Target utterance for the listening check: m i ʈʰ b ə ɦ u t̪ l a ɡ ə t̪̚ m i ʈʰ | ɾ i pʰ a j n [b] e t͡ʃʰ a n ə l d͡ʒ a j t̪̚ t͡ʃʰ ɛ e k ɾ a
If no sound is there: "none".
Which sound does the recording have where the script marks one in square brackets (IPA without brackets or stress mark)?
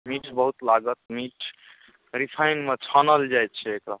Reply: m